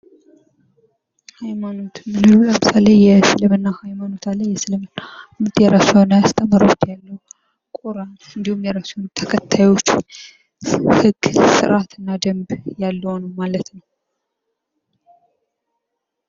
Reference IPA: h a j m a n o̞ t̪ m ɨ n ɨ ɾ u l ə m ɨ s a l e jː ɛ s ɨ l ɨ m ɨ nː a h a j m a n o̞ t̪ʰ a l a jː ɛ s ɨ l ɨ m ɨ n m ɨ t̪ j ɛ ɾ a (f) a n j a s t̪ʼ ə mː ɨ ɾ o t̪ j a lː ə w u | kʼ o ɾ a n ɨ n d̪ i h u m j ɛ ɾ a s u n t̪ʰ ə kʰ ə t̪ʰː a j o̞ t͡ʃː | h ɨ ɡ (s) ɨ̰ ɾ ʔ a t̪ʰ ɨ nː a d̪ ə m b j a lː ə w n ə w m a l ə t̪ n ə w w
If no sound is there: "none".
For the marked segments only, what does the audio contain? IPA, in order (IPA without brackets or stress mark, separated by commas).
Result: s, s